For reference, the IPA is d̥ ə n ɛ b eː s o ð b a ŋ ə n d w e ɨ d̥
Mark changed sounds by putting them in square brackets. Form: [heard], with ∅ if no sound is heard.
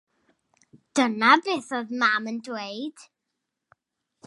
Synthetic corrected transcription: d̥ ə n [a] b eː [θ] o ð [m] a [m] ə n d w e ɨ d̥

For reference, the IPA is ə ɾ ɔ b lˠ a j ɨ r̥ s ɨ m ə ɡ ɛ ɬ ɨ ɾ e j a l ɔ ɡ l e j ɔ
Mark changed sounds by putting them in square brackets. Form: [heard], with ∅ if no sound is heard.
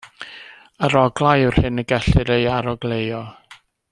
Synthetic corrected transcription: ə ɾ ɔ [ɡ] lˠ a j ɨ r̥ [h] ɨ [n] ə ɡ ɛ ɬ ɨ ɾ e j a [ɾ] ɔ ɡ l e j ɔ

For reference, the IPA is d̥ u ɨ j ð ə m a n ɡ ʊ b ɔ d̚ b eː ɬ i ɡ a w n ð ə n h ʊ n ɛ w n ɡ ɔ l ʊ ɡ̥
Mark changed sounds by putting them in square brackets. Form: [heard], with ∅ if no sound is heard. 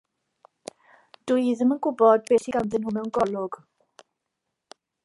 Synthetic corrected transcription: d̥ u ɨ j ð ə m [ə] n ɡ ʊ b ɔ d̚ b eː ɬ i ɡ a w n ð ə n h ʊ [m] ɛ w n ɡ ɔ l ʊ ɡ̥

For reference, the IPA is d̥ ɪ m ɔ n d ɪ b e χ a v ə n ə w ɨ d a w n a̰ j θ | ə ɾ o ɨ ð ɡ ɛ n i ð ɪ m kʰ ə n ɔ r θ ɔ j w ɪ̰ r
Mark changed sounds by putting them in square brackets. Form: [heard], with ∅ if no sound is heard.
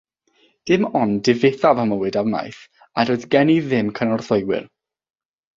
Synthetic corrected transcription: d̥ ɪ m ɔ n d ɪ [v] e [θ] a v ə [m] ə w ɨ d a w n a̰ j θ | [a] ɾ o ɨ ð ɡ ɛ n i ð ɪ m kʰ ə n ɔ r θ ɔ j w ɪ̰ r

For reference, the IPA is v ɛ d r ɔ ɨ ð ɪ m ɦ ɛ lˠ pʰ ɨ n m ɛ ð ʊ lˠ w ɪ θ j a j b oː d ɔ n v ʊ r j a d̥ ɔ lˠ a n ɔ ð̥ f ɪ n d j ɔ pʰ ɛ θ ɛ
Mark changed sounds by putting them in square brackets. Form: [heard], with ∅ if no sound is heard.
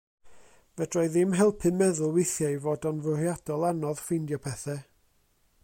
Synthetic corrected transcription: v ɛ d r ɔ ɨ ð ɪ m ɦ ɛ lˠ pʰ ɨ n m ɛ ð ʊ lˠ w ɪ θ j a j [v] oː d ɔ n v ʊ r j a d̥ ɔ lˠ a n ɔ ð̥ f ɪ n d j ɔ pʰ ɛ θ ɛ

